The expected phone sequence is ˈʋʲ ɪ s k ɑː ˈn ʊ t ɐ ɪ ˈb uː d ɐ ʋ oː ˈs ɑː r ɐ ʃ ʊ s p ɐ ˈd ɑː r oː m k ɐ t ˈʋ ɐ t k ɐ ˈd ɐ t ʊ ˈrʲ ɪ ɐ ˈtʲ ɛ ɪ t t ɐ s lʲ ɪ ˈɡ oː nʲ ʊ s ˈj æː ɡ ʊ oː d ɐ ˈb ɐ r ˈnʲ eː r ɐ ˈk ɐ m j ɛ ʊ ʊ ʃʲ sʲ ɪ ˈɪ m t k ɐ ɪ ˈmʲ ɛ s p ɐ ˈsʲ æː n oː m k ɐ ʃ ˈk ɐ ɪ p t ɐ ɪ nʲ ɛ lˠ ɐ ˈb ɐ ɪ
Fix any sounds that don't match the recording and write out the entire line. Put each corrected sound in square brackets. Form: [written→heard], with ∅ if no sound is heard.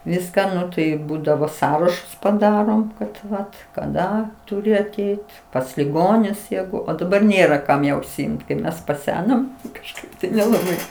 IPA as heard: ˈʋʲ ɪ s k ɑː ˈn ʊ t ɐ ɪ ˈb uː d ɐ ʋ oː ˈs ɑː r ɐ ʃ ʊ s p ɐ ˈd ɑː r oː m k ɐ t ˈʋ ɐ t k ɐ ˈd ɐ t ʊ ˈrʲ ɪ ɐ ˈtʲ ɛ ɪ t [t→p] ɐ s lʲ ɪ ˈɡ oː nʲ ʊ s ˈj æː ɡ ʊ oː d ɐ ˈb ɐ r ˈnʲ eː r ɐ ˈk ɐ m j ɛ ʊ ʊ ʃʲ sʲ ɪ ˈɪ m t k ɐ ɪ ˈmʲ ɛ s p ɐ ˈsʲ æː n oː m k ɐ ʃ ˈk ɐ ɪ p t ɐ ɪ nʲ ɛ lˠ ɐ ˈb ɐ ɪ